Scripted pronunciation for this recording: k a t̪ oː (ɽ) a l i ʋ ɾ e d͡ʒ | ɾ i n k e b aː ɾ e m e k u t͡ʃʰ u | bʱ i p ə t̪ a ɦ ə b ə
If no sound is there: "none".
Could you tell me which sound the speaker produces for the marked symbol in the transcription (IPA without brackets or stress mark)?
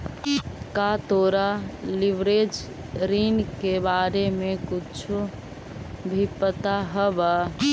ɾ